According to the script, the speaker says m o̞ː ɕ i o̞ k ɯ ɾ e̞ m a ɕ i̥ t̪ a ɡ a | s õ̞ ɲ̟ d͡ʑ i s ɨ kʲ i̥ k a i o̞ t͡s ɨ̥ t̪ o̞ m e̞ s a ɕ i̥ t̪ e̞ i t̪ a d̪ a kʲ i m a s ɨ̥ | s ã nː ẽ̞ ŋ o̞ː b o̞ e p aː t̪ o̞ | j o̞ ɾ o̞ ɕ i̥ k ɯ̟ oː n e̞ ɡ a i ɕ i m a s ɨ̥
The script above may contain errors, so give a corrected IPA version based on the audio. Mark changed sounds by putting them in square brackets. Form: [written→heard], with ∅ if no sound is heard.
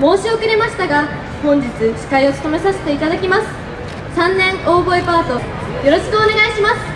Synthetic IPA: m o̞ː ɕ i o̞ k ɯ ɾ e̞ m a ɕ i̥ t̪ a ɡ a | [s→h] õ̞ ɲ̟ d͡ʑ i [s→t͡s] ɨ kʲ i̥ k a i o̞ t͡s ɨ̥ t̪ o̞ m e̞ s a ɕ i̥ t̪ e̞ i t̪ a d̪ a kʲ i m a s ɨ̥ | s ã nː ẽ̞ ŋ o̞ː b o̞ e p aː t̪ o̞ | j o̞ ɾ o̞ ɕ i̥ k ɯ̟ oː n e̞ ɡ a i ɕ i m a s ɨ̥